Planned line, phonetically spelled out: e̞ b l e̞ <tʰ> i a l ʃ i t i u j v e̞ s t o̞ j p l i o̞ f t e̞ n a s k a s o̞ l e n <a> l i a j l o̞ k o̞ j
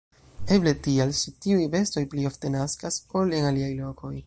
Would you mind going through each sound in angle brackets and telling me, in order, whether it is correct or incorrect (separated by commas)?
incorrect, correct